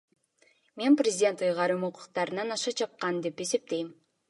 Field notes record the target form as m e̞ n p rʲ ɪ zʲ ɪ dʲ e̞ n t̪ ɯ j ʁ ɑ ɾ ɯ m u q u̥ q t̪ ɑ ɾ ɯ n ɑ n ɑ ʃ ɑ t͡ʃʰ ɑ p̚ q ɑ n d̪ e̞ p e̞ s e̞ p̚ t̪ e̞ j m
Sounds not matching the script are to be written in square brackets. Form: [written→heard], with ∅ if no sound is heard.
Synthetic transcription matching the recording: m e̞ n p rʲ ɪ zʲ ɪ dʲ e̞ n t̪ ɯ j ʁ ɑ ɾ ɯ m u q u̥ q t̪ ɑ ɾ ɯ n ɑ n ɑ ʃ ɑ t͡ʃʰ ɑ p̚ q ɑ n d̪ e̞ p e̞ s e̞ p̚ t̪ e̞ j m